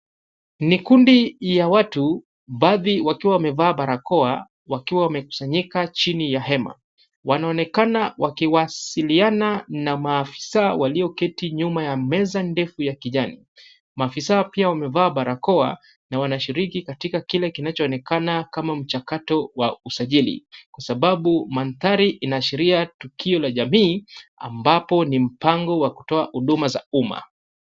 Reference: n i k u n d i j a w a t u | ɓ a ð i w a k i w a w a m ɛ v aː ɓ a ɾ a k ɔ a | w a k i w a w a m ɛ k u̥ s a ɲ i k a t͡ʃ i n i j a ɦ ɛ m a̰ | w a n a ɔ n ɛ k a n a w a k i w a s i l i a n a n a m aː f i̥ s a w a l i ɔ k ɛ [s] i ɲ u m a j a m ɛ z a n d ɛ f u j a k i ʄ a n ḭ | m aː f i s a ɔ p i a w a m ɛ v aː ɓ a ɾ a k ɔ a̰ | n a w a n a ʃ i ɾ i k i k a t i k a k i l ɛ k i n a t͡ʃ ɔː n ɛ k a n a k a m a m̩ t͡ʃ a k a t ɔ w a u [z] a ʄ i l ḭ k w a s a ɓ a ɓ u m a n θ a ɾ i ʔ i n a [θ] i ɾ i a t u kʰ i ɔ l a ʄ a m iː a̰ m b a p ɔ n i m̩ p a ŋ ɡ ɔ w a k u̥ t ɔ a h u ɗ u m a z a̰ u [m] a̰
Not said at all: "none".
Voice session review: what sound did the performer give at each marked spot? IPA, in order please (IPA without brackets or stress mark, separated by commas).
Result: t, s, ʃ, m